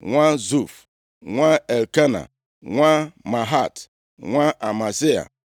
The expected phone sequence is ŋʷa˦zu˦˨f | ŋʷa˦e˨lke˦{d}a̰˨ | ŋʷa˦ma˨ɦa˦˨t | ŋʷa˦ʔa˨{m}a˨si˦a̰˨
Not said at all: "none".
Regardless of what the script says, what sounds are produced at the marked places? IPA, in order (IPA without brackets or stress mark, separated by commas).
n, m